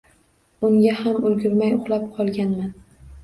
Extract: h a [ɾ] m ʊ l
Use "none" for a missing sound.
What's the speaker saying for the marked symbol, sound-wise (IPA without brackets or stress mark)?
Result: none